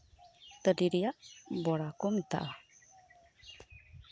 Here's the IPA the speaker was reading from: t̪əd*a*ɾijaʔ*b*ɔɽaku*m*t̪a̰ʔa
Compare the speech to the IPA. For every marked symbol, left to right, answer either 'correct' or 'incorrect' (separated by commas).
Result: incorrect, correct, correct